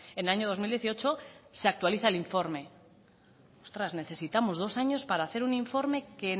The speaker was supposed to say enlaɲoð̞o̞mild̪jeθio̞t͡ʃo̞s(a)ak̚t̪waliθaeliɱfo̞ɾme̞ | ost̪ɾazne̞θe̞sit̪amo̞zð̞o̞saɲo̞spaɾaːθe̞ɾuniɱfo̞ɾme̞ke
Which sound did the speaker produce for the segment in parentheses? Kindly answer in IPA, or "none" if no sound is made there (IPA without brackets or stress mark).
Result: e